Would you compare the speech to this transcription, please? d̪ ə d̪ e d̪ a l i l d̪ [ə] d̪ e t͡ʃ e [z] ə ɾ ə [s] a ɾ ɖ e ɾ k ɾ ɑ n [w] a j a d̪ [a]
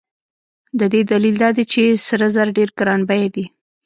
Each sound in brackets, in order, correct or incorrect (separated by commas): incorrect, incorrect, incorrect, incorrect, incorrect